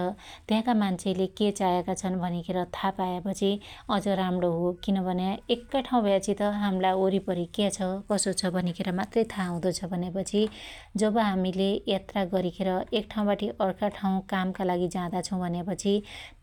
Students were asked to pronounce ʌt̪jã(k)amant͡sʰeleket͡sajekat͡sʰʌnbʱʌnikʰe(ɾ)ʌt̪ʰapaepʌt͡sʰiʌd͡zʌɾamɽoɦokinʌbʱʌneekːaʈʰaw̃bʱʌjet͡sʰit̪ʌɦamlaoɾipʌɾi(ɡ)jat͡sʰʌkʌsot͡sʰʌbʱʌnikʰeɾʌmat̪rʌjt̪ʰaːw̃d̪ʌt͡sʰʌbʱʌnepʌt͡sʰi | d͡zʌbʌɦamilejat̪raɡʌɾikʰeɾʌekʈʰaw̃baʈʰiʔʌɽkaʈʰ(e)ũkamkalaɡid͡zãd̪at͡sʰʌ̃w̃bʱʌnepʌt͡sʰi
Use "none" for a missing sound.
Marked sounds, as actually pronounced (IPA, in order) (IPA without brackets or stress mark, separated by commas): k, ɾ, k, a